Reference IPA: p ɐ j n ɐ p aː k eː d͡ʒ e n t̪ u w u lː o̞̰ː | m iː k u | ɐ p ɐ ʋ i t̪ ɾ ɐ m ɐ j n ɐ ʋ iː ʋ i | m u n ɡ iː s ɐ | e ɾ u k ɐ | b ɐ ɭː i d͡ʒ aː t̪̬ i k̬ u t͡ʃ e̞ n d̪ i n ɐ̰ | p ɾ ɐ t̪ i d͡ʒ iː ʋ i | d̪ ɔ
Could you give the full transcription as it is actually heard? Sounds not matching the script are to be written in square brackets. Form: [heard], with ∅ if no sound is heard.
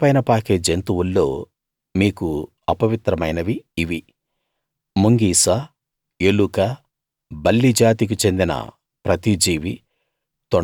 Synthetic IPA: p ɐ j n ɐ p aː k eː d͡ʒ e n t̪ u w u lː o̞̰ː | m iː k u | ɐ p ɐ ʋ i t̪ ɾ ɐ m ɐ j n ɐ ʋ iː ʋ i | m u [ŋ] ɡ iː s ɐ | e [l] u k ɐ | b ɐ [lː] i d͡ʒ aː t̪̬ i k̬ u t͡ʃ e̞ n d̪ i n ɐ̰ | p ɾ ɐ t̪ i d͡ʒ iː ʋ i | [t̪] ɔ